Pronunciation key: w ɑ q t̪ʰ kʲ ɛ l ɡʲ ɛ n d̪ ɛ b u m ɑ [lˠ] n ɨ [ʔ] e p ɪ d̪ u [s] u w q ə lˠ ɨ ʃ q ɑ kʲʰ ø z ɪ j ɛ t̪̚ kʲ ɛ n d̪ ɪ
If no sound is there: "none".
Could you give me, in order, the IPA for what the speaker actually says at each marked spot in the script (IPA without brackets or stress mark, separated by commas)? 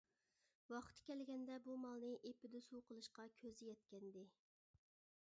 lˠ, ʔ, s